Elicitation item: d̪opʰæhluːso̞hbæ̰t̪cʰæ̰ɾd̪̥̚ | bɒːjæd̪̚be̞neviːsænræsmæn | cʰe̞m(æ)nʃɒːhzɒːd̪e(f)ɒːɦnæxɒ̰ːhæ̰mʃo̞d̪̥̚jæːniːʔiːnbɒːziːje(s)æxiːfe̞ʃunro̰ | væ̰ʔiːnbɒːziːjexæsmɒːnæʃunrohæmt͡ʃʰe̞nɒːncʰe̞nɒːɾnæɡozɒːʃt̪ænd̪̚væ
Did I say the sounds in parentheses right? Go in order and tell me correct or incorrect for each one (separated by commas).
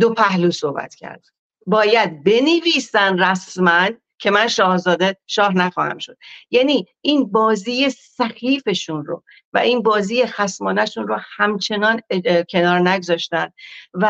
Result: correct, incorrect, correct